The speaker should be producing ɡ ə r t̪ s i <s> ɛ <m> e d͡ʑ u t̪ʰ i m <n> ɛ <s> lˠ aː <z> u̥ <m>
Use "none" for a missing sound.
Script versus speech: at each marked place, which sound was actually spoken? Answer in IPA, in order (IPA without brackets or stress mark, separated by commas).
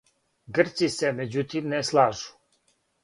s, m, n, s, ʒ, none